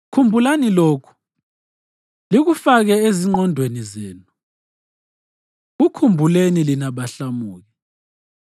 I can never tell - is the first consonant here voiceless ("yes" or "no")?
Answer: yes